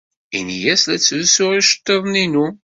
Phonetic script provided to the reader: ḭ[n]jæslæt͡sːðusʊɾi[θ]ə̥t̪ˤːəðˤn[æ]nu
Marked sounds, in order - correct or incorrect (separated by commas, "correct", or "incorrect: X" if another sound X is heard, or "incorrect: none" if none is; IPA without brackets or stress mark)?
correct, incorrect: ʃ, incorrect: i